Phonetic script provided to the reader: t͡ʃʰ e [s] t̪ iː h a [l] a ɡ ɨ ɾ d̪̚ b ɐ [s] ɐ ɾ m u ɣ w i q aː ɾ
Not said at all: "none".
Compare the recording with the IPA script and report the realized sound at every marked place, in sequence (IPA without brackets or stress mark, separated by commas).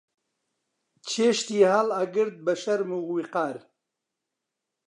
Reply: ʃ, l, ʃ